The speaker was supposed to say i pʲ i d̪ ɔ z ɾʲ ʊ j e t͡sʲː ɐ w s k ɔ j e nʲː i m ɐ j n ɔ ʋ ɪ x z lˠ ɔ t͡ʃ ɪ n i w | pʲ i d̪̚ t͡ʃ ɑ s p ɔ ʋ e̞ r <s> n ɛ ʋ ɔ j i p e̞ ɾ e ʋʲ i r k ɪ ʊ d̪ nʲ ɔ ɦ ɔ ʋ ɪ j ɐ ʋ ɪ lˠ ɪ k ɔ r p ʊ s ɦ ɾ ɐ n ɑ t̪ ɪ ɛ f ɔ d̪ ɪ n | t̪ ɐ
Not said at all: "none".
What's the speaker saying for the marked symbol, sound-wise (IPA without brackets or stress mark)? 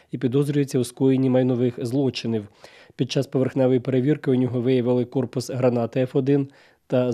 x